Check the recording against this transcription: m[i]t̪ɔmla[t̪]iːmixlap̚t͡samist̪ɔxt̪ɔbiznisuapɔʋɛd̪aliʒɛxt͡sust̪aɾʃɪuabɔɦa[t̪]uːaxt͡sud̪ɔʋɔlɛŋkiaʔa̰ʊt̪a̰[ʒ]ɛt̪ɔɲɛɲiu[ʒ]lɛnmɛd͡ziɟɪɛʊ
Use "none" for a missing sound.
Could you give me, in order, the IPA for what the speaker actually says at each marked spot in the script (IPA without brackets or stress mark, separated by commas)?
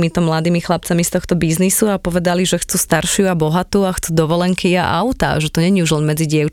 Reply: i, d̪, t̪, ʒ, ʒ